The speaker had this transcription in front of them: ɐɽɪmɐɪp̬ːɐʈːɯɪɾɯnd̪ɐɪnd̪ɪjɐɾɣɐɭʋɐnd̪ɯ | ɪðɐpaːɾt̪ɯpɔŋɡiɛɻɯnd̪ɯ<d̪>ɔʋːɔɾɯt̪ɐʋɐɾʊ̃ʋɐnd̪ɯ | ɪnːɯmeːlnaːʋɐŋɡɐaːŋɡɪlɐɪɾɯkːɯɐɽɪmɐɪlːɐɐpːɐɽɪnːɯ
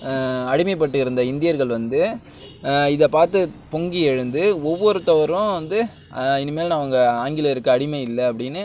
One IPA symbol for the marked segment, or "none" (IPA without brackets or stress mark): none